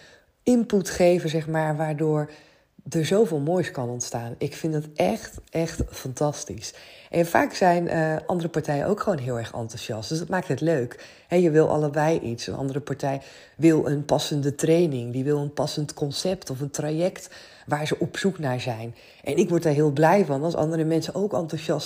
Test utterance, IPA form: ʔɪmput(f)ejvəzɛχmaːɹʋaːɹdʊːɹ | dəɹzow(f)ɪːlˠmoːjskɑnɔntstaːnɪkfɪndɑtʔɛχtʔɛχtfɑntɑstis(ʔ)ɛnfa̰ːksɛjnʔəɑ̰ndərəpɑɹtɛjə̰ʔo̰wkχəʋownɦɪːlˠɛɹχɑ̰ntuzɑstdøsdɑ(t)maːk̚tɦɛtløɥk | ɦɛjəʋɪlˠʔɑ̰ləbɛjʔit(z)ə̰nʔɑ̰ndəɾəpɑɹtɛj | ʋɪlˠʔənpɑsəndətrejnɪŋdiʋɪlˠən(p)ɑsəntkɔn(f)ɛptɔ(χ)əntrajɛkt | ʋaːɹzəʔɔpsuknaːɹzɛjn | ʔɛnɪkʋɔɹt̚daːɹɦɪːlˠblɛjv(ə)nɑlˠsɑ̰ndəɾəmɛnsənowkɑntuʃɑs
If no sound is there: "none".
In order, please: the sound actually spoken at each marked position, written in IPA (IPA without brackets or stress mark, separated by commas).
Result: χ, v, ʔ, t, s, p, s, f, ɑ